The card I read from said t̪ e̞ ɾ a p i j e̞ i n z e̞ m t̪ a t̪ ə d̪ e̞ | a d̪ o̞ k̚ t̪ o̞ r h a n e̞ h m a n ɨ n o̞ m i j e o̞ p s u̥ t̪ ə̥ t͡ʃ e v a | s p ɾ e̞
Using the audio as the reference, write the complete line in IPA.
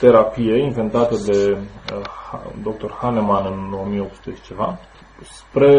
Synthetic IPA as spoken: t̪ e̞ ɾ a p i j e̞ i n v e̞ n t̪ a t̪ ə d̪ e̞ | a d̪ o̞ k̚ t̪ o̞ r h a n e̞ m a n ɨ n o̞ m i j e o̞ p s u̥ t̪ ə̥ t͡ʃ e v a | s p ɾ e̞